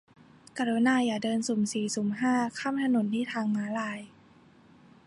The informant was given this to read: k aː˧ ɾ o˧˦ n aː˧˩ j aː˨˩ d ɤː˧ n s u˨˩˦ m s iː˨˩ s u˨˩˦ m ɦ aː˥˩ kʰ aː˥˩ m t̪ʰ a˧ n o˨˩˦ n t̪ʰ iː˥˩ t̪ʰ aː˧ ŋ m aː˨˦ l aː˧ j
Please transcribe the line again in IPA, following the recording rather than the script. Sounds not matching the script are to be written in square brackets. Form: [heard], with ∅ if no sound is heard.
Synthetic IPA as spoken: k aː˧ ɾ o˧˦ n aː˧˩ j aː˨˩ d ɤː˧ n s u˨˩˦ m s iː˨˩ s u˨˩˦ m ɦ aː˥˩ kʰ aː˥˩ m t̪ʰ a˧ n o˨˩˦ n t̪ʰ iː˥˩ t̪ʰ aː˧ ŋ m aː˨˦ l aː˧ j